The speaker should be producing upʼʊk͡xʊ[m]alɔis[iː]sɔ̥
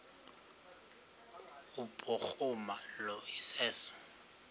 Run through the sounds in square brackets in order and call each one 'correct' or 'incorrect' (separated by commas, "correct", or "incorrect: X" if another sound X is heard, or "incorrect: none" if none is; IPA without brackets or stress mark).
correct, incorrect: ɛː